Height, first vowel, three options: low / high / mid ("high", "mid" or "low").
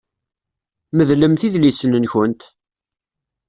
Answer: mid